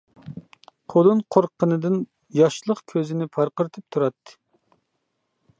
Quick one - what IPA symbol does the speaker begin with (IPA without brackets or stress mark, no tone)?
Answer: qʰ